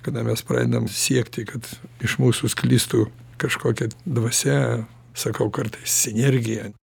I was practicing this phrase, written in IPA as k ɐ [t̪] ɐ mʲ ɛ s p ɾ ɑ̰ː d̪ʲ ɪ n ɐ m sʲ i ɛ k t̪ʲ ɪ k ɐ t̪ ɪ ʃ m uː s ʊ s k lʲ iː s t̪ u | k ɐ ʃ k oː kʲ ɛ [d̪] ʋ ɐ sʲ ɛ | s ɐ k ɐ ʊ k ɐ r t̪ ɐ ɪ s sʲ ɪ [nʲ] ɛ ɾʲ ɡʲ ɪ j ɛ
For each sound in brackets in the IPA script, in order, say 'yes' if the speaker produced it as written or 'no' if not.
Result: no, yes, yes

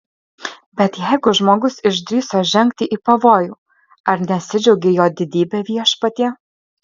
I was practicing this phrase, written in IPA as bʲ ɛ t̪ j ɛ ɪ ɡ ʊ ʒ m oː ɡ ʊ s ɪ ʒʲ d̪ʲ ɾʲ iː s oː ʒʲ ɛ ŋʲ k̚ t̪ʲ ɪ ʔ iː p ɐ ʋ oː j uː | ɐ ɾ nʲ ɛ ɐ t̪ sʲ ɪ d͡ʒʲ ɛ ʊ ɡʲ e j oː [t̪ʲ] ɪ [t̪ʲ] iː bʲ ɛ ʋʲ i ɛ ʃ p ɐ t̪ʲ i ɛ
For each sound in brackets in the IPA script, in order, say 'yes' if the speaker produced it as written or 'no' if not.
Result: no, no

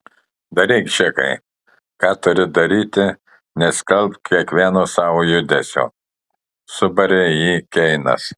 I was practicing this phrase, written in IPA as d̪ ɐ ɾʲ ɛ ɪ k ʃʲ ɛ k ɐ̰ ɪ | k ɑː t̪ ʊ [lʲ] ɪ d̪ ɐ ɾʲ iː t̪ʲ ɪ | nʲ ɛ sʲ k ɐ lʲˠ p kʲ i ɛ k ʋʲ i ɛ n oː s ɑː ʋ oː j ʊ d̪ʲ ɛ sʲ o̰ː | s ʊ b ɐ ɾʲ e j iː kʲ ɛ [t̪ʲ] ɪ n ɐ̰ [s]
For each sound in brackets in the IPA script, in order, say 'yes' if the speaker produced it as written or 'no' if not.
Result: no, no, yes

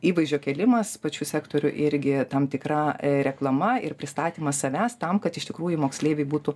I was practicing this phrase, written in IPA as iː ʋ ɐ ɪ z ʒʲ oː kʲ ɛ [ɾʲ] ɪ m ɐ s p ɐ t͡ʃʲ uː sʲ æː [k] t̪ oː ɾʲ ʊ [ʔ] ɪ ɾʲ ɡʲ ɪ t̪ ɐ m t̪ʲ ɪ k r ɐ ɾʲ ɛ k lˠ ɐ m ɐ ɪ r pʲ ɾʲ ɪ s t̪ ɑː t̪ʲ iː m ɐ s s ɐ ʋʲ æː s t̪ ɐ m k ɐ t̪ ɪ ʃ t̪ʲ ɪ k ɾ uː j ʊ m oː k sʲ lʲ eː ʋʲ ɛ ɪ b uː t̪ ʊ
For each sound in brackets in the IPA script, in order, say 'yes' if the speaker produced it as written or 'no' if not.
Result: no, yes, yes

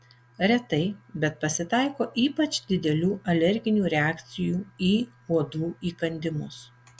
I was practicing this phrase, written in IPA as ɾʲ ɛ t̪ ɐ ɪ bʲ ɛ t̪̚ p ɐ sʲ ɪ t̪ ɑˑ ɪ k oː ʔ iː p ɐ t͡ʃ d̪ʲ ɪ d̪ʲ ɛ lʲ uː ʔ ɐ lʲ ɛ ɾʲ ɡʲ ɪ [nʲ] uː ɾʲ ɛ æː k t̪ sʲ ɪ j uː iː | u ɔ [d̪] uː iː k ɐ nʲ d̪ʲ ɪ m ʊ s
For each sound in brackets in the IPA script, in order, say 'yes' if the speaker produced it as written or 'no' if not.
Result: yes, yes

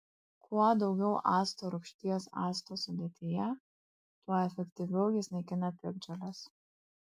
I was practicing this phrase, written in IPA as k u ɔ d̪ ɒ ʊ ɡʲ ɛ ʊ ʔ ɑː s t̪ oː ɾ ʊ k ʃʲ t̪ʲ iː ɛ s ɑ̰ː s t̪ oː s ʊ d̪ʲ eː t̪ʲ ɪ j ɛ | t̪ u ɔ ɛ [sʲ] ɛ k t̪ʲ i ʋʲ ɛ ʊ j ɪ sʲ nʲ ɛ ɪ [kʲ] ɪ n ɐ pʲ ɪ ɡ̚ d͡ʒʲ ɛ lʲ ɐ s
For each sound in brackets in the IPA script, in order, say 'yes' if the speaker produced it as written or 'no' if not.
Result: no, yes

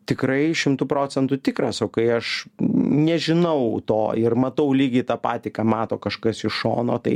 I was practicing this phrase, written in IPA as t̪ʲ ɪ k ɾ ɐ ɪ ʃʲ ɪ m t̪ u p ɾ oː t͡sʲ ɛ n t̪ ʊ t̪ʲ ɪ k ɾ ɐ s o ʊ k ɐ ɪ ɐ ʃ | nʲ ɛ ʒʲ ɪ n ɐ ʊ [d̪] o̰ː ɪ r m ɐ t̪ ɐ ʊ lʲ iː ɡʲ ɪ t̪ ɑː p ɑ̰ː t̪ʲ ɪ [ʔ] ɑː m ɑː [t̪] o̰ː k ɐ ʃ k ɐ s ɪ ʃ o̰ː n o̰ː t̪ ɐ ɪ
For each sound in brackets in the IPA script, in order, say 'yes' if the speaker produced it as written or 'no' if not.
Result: no, no, yes

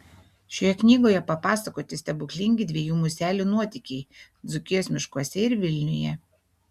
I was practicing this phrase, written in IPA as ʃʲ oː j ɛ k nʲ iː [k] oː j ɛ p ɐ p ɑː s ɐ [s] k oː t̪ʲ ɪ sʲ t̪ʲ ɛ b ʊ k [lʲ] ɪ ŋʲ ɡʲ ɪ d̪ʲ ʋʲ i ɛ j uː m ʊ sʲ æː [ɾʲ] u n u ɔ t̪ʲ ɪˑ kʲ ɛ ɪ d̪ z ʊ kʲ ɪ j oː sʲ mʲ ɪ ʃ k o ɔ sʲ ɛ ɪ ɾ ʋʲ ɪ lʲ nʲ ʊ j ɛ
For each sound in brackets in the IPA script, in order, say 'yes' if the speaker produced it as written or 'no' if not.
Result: no, no, yes, no

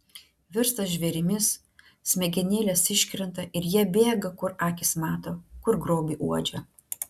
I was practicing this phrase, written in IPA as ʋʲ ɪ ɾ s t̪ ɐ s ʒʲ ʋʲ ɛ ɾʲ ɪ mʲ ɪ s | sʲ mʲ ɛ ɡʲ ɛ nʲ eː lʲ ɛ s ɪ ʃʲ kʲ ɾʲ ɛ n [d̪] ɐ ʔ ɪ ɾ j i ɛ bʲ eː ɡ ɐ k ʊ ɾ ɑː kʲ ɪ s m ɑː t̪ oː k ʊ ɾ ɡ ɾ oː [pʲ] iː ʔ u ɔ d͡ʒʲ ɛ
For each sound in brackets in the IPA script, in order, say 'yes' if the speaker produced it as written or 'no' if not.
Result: no, no

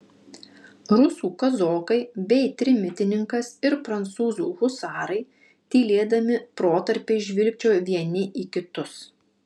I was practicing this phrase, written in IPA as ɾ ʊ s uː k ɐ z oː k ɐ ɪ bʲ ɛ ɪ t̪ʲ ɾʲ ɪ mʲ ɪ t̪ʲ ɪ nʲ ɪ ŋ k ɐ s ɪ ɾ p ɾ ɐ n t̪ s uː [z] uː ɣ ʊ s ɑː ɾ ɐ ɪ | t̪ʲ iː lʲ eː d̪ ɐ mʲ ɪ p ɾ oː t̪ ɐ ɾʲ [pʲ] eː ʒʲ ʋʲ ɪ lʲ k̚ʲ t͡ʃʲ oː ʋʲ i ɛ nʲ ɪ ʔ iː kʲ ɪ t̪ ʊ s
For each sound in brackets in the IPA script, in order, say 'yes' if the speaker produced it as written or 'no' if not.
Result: yes, yes

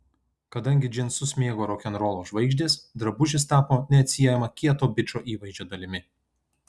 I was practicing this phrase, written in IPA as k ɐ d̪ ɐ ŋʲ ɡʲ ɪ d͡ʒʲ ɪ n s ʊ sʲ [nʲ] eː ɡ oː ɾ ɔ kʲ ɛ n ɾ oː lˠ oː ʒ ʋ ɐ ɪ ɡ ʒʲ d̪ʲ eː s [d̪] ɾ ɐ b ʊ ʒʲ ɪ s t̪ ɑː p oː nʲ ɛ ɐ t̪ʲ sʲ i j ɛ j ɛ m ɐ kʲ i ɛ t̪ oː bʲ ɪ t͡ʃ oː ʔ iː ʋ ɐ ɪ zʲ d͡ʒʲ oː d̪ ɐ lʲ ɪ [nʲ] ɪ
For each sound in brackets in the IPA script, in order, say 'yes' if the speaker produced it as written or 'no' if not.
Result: no, yes, no

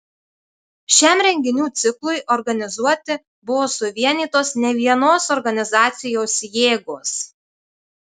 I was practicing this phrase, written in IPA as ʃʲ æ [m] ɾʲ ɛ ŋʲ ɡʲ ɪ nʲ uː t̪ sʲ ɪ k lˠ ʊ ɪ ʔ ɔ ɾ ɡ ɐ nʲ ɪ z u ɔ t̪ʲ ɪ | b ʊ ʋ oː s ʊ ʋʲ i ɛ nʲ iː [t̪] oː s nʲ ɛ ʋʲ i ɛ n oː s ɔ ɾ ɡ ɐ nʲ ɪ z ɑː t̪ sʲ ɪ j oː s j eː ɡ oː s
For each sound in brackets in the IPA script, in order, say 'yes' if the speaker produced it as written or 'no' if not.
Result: yes, yes

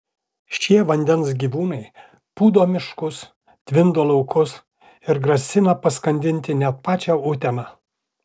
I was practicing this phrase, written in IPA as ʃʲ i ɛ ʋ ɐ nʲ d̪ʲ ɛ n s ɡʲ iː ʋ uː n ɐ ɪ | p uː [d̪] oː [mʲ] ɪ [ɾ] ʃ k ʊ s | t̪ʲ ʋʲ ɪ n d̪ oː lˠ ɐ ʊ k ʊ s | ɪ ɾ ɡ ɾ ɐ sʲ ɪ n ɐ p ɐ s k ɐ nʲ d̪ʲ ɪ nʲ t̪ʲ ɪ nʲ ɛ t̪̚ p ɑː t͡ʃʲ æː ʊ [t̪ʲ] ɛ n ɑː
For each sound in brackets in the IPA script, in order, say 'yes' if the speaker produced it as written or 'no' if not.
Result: yes, yes, no, yes

